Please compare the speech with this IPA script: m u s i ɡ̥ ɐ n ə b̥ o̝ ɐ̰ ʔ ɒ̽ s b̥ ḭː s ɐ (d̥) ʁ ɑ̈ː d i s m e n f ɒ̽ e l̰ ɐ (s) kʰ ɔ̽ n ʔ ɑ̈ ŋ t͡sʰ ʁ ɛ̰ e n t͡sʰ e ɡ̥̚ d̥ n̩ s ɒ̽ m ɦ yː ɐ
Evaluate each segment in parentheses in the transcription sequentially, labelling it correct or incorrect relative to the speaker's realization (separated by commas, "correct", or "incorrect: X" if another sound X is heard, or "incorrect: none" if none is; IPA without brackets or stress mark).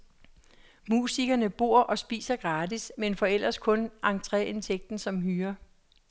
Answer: incorrect: ɡ̥, correct